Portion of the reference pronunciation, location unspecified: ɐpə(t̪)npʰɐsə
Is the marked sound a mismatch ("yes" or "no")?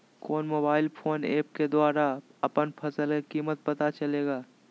yes